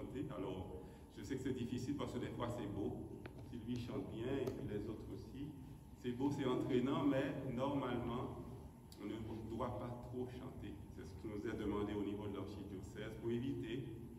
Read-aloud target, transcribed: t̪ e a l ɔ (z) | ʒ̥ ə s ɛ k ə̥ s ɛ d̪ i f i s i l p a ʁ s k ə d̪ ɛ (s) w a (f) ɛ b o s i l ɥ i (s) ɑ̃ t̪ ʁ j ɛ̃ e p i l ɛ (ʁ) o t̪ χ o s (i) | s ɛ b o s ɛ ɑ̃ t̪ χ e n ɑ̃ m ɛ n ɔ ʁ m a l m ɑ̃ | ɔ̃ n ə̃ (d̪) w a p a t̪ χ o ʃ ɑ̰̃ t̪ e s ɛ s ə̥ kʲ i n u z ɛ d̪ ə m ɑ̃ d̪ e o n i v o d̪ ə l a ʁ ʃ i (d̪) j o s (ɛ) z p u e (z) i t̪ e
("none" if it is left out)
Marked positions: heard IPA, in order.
ʁ, f, s, ʃ, z, i, d̪, d̪, ɛ, v

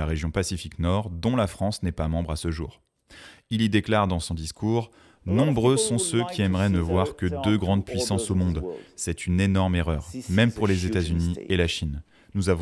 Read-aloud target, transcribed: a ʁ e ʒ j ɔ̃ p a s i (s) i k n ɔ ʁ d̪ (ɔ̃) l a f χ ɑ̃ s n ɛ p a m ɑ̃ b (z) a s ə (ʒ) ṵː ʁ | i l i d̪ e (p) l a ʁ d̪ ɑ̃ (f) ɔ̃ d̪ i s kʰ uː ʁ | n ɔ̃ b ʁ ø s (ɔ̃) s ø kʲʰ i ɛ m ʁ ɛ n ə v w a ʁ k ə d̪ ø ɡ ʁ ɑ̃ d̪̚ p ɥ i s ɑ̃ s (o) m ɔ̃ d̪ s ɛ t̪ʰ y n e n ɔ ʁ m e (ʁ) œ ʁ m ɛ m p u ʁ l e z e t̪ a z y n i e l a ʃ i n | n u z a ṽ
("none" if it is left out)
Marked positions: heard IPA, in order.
f, ɔ̃, ʁ, ʒ, k, s, ɔ̃, o, ʁ

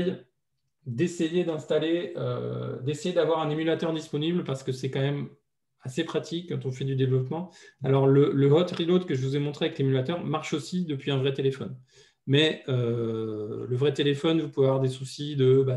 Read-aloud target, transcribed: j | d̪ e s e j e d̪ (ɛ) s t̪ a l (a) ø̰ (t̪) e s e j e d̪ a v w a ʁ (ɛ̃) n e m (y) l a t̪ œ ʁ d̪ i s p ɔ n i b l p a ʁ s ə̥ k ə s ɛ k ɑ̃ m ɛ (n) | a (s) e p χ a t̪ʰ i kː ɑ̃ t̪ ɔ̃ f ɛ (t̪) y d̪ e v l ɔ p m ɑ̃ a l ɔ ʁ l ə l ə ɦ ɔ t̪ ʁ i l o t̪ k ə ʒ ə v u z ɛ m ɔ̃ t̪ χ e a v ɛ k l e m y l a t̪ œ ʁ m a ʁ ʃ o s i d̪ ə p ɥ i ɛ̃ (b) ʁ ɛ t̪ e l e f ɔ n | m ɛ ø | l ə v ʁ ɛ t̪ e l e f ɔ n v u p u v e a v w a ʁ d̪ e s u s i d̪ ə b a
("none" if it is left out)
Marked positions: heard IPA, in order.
ɛ̃, e, d̪, ɛ̃, y, m, s, d̪, v

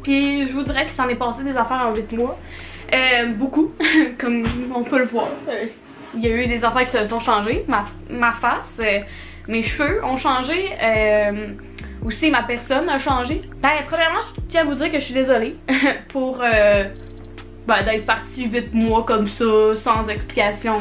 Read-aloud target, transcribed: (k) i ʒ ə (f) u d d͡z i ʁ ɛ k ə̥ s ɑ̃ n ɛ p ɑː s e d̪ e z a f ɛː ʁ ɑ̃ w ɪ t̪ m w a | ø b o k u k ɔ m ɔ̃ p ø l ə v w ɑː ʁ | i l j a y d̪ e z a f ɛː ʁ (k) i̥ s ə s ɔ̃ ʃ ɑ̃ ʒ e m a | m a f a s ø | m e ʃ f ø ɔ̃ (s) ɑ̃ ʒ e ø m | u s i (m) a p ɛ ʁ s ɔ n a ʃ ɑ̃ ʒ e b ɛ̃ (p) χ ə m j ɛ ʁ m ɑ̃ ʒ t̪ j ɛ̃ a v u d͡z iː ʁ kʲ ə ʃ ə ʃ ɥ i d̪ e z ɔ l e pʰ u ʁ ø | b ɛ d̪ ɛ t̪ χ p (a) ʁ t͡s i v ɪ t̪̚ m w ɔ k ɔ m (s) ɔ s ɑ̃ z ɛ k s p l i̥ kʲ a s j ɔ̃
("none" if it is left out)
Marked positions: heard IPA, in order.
p, v, k, ʃ, m, p, a, s

